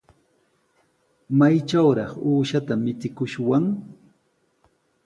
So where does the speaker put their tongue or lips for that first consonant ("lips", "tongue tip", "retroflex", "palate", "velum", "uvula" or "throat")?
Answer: lips